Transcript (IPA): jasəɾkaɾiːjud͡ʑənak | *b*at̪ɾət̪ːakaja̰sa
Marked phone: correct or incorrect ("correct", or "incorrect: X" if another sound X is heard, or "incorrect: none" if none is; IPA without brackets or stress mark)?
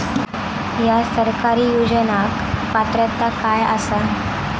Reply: incorrect: p